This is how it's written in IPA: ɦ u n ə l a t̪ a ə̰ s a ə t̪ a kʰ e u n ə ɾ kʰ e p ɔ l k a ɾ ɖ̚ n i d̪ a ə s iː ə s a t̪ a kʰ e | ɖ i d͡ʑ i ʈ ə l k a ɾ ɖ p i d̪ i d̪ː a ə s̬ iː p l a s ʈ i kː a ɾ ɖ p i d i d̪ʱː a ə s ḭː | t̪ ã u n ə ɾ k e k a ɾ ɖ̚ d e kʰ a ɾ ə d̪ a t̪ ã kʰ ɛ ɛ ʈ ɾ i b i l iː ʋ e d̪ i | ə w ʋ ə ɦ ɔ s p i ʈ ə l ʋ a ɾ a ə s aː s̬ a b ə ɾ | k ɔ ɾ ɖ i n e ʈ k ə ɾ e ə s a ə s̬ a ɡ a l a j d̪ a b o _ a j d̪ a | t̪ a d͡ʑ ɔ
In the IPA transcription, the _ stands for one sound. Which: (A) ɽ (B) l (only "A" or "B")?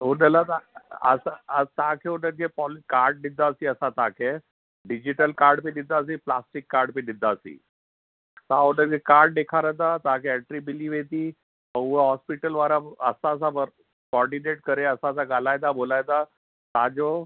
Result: B